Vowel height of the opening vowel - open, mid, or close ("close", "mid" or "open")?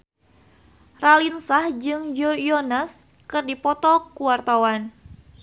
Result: open